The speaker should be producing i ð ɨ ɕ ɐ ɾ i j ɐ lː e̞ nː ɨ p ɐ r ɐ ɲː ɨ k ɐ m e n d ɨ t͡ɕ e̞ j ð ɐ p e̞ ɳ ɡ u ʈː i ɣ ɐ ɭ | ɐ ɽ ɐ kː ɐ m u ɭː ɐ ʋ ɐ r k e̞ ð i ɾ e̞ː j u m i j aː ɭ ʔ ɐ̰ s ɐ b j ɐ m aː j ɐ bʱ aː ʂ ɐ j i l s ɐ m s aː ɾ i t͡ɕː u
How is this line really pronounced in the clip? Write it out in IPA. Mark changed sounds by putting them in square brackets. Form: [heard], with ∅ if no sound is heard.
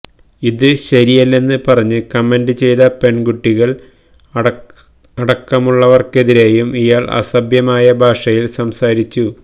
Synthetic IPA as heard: i ð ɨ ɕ ɐ ɾ i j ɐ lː e̞ nː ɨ p ɐ r ɐ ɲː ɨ k ɐ m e n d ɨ t͡ɕ e̞ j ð ɐ p e̞ ɳ ɡ u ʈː i ɣ ɐ ɭ | ɐ ɽ ɐ kː ɐ m u ɭː ɐ ʋ ɐ r k e̞ ð i ɾ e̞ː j u m i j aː ɭ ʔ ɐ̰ s ɐ b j ɐ m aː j ɐ bʱ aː ʂ ɐ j i l s ɐ m s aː ɾ i t͡ɕː u